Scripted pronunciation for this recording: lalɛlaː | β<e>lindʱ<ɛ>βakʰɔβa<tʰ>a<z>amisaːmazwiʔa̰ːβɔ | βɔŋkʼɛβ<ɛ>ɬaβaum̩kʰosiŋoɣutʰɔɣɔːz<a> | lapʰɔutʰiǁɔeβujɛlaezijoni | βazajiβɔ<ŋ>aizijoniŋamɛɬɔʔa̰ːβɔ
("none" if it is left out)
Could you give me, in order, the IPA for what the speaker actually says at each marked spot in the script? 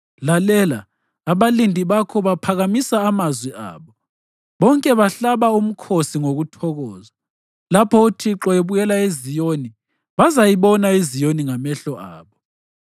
a, i, pʰ, ɣ, a, a, n

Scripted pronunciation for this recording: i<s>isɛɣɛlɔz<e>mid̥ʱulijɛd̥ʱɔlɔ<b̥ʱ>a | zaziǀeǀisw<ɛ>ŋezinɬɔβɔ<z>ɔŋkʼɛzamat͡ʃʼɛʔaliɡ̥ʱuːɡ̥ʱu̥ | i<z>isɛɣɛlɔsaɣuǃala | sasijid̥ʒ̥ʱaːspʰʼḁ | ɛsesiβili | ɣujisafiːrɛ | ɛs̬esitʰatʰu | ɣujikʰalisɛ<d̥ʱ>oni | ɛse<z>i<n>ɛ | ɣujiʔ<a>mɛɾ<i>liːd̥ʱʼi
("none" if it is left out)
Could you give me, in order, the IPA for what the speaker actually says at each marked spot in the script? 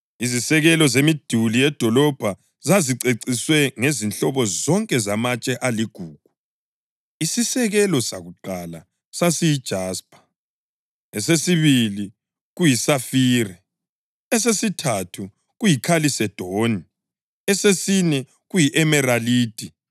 z, e, b̥ʱ, ɛ, z, s, d̥ʱ, s, n, ɛ, a

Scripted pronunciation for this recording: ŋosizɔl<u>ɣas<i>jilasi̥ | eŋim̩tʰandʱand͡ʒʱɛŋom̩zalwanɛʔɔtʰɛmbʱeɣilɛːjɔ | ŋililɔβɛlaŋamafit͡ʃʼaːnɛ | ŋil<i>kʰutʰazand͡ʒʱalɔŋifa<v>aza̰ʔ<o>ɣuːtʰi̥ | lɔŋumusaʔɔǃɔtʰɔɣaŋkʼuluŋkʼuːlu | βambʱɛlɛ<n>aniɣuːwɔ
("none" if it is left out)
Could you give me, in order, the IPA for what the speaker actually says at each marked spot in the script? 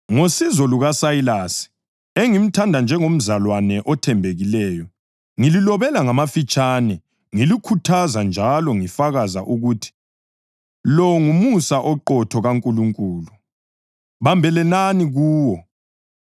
u, a, i, ɣ, u, n

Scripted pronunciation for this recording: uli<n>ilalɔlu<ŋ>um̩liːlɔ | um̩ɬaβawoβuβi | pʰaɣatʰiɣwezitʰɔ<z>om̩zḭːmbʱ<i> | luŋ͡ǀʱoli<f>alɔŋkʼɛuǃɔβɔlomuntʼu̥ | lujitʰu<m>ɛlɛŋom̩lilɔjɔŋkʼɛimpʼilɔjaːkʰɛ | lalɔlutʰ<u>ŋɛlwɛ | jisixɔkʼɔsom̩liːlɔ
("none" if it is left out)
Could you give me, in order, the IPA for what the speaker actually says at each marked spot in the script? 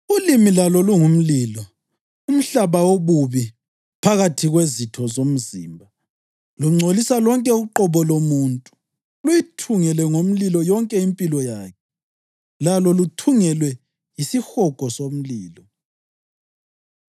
m, ŋ, z, a, s, ŋ, u

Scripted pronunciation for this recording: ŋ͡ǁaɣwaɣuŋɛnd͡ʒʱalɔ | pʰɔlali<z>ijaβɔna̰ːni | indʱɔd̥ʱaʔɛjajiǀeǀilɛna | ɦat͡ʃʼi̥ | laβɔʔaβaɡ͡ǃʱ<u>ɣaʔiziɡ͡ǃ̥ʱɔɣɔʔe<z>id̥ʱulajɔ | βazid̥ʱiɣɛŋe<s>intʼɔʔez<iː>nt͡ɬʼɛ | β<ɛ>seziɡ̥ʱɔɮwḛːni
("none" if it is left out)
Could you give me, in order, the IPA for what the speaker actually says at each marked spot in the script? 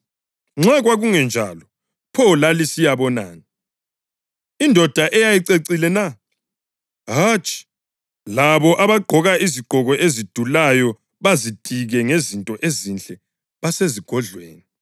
s, ɔ, z, z, i, a

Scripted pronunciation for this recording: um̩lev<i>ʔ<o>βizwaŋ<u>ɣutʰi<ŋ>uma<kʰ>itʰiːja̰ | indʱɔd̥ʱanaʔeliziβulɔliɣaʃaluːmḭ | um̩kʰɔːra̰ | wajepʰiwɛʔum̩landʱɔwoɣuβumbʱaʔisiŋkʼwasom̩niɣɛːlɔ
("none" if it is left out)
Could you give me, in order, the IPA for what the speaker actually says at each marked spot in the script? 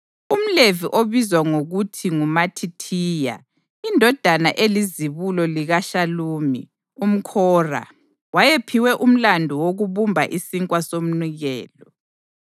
i, o, o, ŋ, tʰ

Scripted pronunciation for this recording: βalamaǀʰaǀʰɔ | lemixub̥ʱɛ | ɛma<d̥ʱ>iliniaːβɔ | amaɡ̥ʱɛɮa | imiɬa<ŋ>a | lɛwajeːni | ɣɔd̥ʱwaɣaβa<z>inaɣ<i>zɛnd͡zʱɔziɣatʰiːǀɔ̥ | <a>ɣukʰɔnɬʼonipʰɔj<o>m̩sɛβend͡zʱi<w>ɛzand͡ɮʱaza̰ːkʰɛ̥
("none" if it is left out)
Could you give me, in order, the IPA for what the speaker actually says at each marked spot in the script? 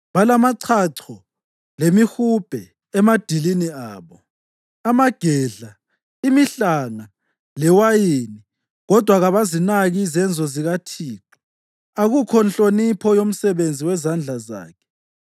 d̥ʱ, ŋ, z, i, a, o, w

